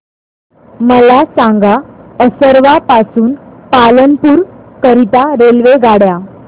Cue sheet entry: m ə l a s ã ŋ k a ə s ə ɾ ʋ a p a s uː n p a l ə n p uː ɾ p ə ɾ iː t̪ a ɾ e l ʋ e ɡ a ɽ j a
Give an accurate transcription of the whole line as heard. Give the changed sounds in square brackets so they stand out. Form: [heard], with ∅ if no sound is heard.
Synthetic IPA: m ə l a s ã ŋ [ɡ] a ə s ə ɾ ʋ a p a s uː n p a l ə n p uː ɾ [k] ə ɾ [i] t̪ a ɾ e l ʋ e ɡ a ɽ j a